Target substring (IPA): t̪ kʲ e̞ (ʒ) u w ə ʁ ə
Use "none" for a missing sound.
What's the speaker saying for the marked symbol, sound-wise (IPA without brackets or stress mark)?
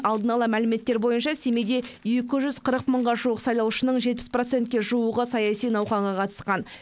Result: ʒ